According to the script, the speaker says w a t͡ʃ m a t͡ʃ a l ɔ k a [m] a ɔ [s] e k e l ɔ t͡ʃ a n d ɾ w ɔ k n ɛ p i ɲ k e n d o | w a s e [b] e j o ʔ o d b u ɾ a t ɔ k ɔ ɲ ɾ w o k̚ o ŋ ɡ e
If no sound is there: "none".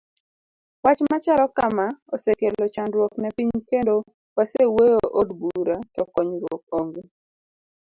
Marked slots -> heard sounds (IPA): m, s, w

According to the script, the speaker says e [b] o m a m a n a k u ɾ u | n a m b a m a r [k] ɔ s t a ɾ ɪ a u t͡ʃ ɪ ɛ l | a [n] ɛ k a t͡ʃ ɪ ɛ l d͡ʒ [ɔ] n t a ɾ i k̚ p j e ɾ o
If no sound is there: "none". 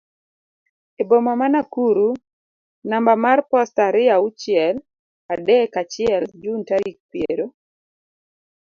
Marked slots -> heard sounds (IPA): b, p, d, u

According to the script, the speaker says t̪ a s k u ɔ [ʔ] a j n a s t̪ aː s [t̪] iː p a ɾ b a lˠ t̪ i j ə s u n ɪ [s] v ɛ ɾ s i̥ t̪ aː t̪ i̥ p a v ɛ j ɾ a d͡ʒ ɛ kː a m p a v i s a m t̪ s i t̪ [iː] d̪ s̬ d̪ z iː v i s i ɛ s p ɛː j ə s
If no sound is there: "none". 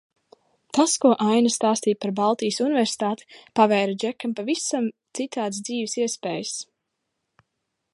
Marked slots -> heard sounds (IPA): ʔ, t̪, none, aː

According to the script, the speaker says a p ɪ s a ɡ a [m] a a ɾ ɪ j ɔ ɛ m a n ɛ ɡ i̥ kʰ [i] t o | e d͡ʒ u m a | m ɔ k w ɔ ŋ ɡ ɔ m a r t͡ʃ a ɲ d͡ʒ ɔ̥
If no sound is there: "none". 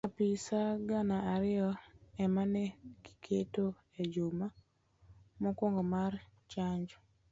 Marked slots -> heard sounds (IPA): n, e

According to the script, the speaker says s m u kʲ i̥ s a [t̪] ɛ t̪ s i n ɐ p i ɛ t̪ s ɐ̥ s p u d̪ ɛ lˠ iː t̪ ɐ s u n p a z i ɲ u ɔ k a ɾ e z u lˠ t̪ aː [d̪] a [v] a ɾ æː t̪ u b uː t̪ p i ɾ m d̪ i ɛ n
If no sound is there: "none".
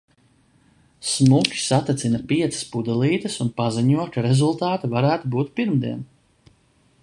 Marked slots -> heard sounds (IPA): t̪, t̪, v

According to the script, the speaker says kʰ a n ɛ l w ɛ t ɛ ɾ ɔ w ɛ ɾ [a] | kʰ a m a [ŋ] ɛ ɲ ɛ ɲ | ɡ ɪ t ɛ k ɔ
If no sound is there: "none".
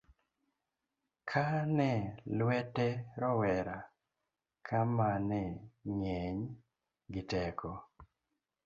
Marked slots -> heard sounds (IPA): a, n

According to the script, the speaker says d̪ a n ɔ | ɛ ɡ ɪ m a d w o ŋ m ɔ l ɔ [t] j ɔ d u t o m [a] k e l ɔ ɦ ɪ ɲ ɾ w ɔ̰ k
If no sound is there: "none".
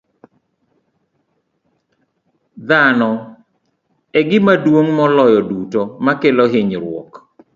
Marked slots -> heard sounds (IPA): none, a

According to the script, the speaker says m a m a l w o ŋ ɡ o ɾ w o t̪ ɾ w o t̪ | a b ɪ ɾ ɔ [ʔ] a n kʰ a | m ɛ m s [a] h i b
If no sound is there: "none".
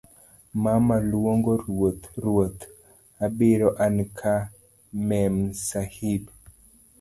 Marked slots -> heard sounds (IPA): ʔ, a

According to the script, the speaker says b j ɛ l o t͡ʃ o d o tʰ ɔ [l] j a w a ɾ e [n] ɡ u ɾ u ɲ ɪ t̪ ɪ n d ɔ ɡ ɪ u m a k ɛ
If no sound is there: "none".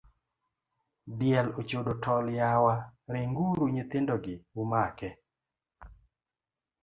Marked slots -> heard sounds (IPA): l, ŋ

